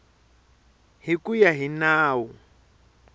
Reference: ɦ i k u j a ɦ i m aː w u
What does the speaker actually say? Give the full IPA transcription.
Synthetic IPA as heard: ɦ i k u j a ɦ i n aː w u